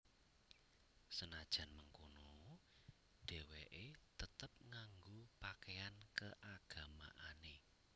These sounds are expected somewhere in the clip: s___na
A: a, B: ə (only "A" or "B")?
B